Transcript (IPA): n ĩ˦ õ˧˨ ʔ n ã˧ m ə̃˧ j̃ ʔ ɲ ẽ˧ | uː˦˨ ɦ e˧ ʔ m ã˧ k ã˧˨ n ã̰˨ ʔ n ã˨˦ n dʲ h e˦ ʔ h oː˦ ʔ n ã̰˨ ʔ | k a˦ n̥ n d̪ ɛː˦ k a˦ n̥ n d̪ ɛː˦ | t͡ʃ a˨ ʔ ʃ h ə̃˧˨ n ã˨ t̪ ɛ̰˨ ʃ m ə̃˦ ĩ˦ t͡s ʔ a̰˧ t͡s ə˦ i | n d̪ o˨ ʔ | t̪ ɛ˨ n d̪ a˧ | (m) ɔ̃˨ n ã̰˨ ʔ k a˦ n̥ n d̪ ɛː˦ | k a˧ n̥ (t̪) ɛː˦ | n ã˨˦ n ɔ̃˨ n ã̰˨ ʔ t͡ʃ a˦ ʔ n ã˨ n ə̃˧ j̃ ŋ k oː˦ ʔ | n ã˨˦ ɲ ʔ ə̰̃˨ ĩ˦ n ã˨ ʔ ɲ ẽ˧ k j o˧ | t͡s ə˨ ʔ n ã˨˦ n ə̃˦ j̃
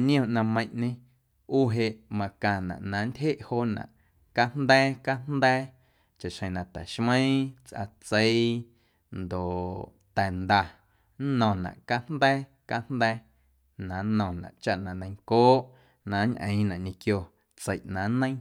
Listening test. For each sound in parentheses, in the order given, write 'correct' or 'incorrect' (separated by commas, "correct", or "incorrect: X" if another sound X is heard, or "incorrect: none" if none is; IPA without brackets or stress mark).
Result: incorrect: n, incorrect: d̪